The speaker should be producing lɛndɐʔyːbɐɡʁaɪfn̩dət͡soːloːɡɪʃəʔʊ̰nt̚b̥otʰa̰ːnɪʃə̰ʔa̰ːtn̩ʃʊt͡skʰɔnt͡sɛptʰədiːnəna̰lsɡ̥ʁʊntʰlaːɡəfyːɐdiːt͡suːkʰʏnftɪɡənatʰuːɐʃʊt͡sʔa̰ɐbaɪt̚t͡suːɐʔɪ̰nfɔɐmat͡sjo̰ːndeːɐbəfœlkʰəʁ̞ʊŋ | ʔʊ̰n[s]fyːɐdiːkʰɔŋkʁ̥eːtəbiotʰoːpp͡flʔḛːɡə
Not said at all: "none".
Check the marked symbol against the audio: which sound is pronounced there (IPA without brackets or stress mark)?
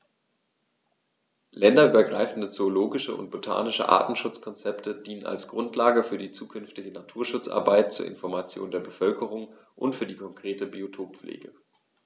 t